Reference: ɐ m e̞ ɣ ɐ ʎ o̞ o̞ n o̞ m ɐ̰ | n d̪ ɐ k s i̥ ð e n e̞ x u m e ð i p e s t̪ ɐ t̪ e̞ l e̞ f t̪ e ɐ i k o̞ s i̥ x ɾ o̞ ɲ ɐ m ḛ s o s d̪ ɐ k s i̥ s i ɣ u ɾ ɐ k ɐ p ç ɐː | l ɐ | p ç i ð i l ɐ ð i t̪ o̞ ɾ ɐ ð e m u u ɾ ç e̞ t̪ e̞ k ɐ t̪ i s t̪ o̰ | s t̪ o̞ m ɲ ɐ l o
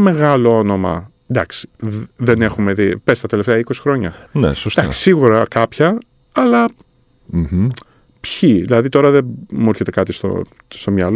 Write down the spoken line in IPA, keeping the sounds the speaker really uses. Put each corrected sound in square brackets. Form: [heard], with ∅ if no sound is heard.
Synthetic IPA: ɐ m e̞ ɣ ɐ [l] o̞ o̞ n o̞ m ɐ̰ | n d̪ ɐ k s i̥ ð e n e̞ x u m e ð i p e s t̪ ɐ t̪ e̞ l e̞ f t̪ e ɐ i k o̞ s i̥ x ɾ o̞ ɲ ɐ [n] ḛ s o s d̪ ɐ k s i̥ s i ɣ u ɾ ɐ k ɐ p ç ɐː | l ɐ | p ç i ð i l ɐ ð i t̪ o̞ ɾ ɐ ð e m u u ɾ ç e̞ t̪ e̞ k ɐ t̪ i s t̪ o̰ | s t̪ o̞ m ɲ ɐ l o